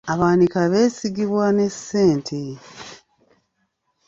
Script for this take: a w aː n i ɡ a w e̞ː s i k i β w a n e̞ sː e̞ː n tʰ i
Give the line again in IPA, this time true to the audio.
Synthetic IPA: a β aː n i k a β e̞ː s i ɡ i β w a n e̞ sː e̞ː n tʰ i